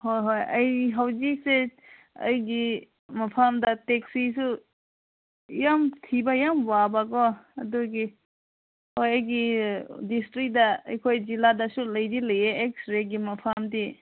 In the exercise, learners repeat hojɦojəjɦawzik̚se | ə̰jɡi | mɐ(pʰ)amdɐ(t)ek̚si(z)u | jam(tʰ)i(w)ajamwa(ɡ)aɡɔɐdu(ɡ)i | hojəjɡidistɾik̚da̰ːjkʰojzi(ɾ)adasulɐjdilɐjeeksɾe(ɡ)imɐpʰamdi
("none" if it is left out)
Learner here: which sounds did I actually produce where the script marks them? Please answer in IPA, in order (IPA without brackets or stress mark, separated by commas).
pʰ, t, s, tʰ, b, b, ɡ, l, ɡ